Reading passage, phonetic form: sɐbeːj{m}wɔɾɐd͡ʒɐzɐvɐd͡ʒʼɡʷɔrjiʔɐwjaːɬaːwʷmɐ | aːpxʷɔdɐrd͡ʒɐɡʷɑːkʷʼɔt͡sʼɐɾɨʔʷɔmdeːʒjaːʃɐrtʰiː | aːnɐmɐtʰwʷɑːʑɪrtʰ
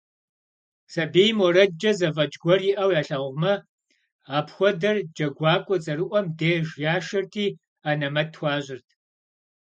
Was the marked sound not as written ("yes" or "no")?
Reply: no